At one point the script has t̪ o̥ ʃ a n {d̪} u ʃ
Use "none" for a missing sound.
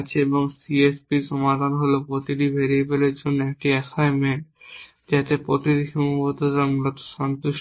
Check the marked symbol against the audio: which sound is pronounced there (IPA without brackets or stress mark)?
t̪